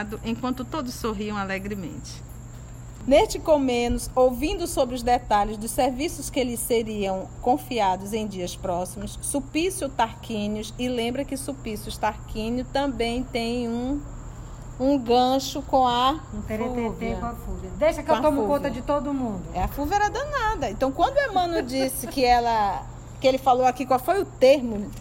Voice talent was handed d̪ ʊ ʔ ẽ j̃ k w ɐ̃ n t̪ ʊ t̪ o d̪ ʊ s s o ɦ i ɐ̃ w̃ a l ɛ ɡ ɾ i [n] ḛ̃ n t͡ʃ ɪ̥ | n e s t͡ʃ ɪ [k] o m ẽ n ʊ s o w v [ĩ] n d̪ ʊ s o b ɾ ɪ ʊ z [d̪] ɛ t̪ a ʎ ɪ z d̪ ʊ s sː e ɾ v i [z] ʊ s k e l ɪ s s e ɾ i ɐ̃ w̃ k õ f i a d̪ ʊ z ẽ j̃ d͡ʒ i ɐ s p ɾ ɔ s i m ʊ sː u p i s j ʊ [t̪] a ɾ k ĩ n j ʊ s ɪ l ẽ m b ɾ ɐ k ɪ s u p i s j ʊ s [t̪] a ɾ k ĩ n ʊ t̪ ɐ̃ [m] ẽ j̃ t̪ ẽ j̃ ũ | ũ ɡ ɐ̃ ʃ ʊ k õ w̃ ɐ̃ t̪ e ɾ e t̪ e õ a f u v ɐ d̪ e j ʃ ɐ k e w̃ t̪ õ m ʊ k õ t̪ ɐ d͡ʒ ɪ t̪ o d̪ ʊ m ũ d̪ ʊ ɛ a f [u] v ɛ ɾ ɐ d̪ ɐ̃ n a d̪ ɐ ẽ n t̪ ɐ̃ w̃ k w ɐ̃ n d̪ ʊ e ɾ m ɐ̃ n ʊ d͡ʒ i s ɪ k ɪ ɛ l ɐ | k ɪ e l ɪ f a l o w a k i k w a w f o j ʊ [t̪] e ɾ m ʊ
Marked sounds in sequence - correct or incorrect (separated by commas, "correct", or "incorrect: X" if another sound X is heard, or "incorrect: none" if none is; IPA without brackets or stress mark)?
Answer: incorrect: m, correct, correct, correct, incorrect: s, correct, correct, incorrect: b, correct, correct